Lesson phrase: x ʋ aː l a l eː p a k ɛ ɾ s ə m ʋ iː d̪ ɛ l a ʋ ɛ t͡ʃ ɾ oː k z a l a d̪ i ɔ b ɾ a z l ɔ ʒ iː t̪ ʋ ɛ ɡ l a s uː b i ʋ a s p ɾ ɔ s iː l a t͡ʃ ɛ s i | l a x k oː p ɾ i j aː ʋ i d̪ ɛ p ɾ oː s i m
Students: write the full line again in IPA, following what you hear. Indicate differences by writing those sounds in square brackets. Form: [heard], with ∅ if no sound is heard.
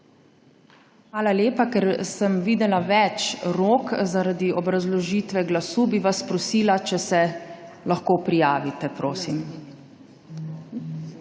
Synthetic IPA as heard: x ʋ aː l a l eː p a k ɛ ɾ s ə m ʋ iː d̪ ɛ l a ʋ ɛ t͡ʃ ɾ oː k z a [ɾ] a d̪ i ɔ b ɾ a z l ɔ ʒ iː t̪ ʋ ɛ ɡ l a s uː b i ʋ a s p ɾ ɔ s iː l a t͡ʃ ɛ s [ɛ] | l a x k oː p ɾ i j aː ʋ i [t̪] ɛ p ɾ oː s i m